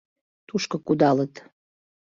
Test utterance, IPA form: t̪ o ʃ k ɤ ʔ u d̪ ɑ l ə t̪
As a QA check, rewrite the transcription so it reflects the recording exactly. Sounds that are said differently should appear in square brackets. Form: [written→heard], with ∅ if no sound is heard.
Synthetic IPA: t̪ [o→u] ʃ k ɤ [ʔ→k] u d̪ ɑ l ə t̪